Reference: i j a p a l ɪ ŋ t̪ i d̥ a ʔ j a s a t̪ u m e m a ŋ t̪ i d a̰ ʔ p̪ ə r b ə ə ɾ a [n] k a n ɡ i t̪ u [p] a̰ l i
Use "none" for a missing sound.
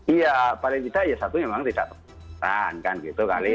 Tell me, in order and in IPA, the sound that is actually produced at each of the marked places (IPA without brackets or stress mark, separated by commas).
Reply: n, k